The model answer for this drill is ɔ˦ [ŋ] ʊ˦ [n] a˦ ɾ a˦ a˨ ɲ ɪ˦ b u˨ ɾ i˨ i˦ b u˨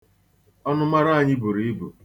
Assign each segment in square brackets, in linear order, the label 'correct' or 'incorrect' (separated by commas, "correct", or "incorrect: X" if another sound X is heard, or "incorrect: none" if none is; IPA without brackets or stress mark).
incorrect: n, incorrect: m